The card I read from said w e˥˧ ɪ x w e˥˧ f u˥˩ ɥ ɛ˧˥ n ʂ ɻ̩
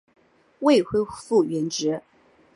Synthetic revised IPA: w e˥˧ ɪ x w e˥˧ f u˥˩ ɥ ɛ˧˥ n ʈ͡ʂ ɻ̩